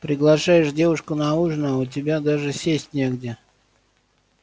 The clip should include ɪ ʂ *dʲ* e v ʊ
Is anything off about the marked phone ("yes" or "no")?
no